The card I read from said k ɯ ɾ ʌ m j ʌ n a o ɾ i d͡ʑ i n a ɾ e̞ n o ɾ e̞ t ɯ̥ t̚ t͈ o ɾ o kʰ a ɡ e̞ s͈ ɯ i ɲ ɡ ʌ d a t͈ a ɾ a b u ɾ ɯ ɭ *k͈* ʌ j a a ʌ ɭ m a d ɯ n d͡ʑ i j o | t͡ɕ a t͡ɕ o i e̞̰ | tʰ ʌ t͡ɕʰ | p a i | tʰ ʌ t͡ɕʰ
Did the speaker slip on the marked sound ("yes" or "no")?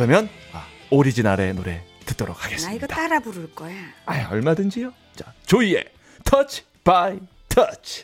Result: no